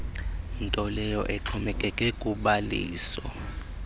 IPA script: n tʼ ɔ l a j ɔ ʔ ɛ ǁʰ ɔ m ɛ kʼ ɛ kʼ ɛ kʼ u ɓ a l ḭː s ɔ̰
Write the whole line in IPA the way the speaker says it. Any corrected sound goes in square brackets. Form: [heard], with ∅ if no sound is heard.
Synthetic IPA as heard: n tʼ ɔ l [ɛ] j ɔ ʔ ɛ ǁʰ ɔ m ɛ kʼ ɛ kʼ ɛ kʼ u ɓ a l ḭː s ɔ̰